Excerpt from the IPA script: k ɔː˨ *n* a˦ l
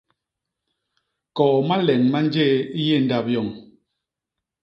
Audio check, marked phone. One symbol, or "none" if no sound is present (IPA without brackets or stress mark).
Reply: m